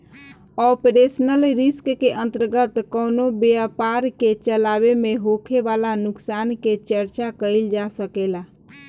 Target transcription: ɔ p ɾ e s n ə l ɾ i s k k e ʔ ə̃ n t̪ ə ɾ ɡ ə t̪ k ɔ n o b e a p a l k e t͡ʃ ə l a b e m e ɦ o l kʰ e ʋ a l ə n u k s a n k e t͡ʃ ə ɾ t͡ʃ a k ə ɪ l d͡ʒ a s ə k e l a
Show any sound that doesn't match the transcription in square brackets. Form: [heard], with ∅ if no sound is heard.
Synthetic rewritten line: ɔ p ɾ e s n ə l ɾ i s k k e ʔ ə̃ n t̪ ə ɾ ɡ ə t̪ k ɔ n o b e a p a [ɾ] k e t͡ʃ ə l a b e m e ɦ o [∅] kʰ e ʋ a l [a] n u k s a n k e t͡ʃ ə ɾ t͡ʃ a k ə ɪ l d͡ʒ a s ə k e l a